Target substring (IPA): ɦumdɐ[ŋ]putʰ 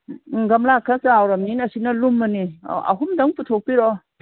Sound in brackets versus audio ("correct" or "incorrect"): correct